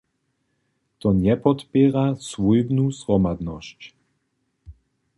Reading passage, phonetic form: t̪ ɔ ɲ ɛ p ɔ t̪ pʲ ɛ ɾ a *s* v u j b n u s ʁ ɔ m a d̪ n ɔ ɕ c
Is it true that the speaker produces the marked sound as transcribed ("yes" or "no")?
yes